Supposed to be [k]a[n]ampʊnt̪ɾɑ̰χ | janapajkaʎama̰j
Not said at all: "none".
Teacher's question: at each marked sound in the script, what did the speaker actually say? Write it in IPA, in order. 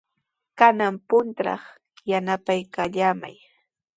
k, n

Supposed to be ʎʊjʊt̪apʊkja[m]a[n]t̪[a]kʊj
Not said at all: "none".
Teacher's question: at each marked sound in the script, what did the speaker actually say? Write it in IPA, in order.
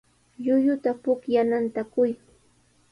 n, n, a

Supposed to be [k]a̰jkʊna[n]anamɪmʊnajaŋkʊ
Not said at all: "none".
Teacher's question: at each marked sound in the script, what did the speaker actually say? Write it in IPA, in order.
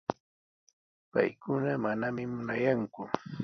p, m

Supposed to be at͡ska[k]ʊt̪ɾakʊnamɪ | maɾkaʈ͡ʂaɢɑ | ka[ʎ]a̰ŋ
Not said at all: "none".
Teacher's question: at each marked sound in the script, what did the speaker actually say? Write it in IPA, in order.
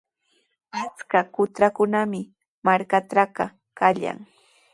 k, ʎ

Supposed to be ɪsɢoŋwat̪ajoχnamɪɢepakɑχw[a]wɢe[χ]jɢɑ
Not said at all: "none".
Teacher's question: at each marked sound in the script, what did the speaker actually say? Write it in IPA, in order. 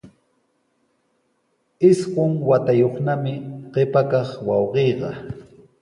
ɑ, none

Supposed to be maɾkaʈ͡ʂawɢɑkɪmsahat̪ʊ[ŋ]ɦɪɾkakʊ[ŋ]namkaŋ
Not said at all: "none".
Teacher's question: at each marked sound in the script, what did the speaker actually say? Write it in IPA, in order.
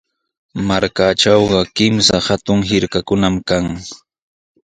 ŋ, none

